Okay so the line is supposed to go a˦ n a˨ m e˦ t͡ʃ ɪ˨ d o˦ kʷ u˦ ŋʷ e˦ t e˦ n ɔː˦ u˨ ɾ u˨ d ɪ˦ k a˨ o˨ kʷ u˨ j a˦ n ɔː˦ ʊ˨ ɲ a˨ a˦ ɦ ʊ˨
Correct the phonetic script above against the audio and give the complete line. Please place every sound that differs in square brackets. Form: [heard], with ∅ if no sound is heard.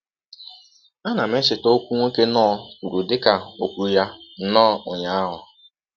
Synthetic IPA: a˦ n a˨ m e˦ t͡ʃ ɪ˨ [t] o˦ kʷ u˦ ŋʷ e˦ [k] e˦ n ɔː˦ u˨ ɾ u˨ d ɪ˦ k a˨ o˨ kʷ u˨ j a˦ n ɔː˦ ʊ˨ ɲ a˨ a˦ ɦ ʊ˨